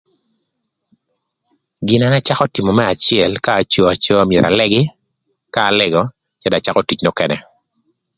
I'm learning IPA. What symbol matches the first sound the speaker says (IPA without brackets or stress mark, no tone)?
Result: ɡ